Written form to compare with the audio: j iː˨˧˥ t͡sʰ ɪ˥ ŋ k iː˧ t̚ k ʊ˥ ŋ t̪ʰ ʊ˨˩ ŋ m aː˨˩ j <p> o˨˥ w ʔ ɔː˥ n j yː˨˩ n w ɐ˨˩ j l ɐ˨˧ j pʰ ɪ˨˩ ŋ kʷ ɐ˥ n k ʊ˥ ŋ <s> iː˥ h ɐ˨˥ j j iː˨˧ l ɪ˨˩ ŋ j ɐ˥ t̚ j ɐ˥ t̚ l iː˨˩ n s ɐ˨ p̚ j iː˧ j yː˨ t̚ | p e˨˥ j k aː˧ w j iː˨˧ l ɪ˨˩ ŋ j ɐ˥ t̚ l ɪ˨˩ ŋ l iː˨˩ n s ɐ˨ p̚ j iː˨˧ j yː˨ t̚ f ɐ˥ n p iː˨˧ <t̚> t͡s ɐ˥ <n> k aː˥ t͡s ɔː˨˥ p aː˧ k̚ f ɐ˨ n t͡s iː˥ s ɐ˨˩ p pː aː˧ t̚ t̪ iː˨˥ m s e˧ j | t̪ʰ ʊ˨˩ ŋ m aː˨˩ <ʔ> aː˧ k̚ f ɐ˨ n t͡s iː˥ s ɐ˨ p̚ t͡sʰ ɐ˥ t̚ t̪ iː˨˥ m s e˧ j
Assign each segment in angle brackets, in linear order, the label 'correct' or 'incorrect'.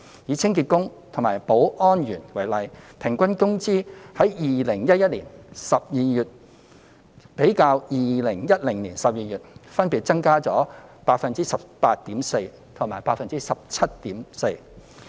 correct, incorrect, correct, incorrect, incorrect

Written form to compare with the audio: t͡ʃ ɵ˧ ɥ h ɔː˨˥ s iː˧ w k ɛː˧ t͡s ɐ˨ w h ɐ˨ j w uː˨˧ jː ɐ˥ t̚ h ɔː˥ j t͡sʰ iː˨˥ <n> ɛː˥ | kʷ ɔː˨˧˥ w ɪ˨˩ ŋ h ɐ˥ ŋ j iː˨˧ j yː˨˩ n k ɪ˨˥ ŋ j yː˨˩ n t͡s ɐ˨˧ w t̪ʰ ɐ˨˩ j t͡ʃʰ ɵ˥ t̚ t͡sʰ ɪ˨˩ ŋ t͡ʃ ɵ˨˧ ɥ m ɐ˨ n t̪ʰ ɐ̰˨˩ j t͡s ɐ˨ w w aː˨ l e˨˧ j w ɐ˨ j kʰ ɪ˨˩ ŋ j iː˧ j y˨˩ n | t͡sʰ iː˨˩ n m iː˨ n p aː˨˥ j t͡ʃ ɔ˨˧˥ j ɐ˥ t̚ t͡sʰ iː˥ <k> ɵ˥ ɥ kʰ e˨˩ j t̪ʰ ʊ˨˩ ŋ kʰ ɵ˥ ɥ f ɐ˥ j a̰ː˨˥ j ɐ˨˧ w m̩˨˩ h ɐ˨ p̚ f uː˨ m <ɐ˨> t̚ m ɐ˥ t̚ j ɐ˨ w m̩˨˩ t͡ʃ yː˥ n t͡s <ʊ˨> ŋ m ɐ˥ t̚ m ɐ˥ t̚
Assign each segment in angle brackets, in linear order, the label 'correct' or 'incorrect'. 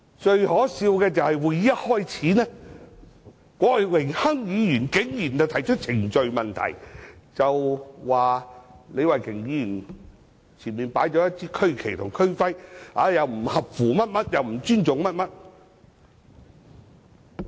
correct, incorrect, incorrect, correct

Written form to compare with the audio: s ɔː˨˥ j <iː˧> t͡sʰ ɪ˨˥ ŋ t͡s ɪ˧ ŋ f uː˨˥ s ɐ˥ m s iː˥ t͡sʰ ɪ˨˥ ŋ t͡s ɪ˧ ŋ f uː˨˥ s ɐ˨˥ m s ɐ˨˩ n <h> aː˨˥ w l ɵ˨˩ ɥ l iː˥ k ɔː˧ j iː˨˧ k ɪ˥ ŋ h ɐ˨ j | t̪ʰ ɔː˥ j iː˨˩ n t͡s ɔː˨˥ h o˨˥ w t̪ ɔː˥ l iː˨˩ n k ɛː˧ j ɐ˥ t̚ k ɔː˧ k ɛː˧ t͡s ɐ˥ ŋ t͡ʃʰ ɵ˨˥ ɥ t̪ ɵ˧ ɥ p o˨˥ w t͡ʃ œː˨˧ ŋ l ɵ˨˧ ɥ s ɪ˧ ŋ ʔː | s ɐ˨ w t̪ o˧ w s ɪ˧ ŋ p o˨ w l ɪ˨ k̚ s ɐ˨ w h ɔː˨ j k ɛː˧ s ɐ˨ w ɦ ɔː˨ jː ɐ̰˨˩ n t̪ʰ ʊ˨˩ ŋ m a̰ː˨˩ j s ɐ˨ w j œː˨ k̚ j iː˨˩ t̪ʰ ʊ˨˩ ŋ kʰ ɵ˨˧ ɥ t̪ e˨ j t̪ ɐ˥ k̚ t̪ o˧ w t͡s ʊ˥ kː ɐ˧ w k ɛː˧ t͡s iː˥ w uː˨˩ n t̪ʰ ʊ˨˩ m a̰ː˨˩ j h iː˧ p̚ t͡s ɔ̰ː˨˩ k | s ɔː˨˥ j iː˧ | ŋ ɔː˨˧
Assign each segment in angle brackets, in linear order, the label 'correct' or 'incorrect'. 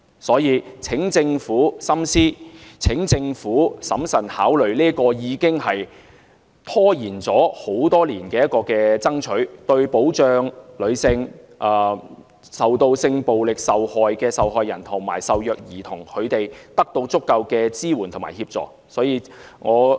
correct, correct

